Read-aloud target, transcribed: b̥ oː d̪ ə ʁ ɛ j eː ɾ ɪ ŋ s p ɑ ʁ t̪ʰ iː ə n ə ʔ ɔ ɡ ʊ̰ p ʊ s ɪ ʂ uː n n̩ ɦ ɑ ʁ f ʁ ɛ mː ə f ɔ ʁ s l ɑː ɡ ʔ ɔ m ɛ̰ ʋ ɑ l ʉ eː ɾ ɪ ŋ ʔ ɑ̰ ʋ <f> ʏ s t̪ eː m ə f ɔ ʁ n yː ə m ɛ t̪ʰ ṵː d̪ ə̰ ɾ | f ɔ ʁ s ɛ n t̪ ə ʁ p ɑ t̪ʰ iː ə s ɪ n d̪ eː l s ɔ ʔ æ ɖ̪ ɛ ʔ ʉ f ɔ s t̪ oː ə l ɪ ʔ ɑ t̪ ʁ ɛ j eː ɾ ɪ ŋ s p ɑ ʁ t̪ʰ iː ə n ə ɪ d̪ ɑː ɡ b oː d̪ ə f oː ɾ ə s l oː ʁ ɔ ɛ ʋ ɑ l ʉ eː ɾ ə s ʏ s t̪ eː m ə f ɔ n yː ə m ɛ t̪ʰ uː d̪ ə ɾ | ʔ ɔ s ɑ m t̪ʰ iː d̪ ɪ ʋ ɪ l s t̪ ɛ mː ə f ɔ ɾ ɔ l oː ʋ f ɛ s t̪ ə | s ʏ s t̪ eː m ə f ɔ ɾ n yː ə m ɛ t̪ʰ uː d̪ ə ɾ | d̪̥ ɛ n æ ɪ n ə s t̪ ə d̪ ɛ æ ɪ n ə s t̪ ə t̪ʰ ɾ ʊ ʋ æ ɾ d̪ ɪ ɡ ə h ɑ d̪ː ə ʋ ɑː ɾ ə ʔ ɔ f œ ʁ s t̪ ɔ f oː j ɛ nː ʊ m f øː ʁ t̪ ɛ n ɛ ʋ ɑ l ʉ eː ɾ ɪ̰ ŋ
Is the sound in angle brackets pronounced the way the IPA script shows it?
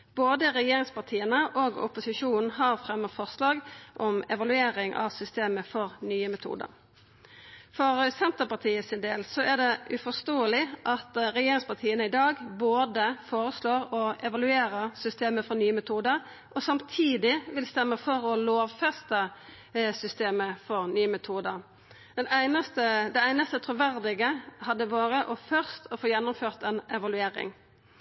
no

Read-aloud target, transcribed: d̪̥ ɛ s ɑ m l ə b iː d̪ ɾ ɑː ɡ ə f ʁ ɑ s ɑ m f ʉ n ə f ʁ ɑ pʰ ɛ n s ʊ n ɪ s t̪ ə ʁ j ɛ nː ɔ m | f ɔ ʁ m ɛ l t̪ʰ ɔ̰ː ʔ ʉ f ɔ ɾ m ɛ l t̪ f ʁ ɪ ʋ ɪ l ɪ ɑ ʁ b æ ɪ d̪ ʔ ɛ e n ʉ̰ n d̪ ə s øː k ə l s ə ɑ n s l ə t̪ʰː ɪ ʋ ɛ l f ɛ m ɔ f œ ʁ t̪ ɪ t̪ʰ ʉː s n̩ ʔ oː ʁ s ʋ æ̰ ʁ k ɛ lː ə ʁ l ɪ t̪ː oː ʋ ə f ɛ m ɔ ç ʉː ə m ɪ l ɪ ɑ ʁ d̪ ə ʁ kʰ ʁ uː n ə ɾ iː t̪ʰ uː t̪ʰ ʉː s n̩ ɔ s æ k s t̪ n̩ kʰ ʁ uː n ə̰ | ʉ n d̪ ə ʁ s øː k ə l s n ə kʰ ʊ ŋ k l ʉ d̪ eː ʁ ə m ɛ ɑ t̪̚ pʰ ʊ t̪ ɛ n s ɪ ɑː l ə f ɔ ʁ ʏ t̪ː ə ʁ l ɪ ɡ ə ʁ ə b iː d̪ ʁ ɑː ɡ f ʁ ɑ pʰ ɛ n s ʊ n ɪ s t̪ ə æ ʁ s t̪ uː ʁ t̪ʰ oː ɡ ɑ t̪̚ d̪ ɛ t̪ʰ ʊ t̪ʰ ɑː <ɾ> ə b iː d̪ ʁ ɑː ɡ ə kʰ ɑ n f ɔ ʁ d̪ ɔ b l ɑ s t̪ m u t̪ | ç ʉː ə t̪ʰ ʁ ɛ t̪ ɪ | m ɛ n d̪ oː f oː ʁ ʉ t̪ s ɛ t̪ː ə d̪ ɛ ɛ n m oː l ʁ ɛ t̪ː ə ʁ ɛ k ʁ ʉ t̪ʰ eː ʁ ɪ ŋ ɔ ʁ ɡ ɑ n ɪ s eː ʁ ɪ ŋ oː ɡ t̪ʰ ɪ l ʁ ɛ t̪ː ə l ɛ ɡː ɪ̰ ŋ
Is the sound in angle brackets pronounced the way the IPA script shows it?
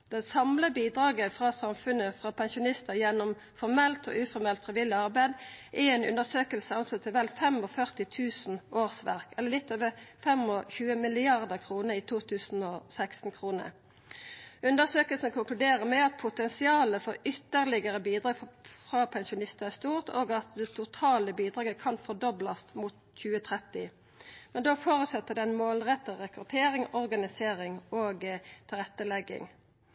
no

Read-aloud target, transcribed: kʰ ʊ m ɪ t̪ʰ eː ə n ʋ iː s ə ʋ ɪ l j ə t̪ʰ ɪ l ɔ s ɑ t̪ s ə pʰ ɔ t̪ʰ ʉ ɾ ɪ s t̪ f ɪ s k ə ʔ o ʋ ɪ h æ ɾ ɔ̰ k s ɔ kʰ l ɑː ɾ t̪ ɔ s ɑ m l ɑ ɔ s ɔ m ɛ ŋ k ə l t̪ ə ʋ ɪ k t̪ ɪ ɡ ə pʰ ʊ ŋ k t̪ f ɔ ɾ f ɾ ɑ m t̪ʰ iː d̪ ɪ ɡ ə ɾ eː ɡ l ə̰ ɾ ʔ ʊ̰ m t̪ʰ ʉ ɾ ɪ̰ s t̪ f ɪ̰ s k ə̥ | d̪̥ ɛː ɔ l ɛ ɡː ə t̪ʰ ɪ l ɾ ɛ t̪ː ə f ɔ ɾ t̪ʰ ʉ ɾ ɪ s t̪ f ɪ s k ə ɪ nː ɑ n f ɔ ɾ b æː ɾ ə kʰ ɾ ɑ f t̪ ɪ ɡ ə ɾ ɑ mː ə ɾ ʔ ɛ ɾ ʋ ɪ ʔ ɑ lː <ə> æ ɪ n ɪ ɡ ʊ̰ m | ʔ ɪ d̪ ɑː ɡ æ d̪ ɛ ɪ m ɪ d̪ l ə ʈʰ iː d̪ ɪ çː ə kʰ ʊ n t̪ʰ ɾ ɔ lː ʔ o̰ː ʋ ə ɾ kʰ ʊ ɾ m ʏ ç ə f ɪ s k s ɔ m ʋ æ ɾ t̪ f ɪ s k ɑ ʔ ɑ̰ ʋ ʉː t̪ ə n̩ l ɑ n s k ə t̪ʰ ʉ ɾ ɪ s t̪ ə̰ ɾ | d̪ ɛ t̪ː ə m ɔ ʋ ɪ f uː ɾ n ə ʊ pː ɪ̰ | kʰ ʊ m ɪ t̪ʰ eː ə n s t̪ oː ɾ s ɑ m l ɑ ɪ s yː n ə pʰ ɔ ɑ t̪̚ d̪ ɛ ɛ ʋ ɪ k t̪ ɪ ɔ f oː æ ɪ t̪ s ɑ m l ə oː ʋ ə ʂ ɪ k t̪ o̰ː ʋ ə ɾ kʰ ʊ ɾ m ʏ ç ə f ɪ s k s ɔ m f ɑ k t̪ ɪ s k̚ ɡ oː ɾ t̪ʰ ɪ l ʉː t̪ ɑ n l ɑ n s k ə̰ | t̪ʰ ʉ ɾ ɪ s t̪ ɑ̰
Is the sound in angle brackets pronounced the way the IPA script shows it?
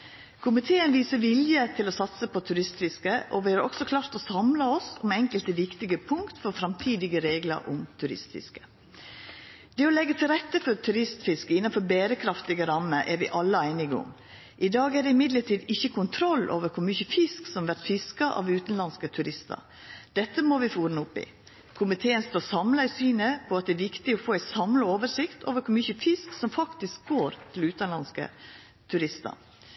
yes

